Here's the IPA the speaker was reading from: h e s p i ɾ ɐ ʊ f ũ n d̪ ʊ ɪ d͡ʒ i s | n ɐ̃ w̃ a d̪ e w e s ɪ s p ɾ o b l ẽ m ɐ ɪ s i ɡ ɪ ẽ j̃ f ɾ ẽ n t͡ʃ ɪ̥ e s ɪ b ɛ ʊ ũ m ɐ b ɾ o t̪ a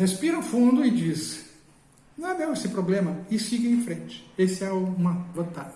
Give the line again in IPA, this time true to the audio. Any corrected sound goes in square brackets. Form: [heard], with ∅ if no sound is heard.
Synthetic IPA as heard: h e s p i ɾ ɐ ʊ f ũ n d̪ ʊ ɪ d͡ʒ i s | n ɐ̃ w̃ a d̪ e w e s ɪ [∅] p ɾ o b l ẽ m ɐ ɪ s i ɡ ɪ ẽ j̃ f ɾ ẽ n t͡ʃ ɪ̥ e s ɪ [∅] ɛ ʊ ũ m ɐ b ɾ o t̪ a